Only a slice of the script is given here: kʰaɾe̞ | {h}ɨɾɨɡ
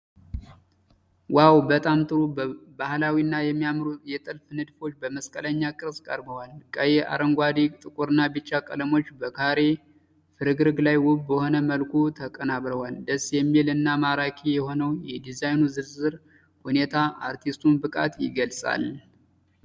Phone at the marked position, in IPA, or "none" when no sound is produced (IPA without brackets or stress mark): f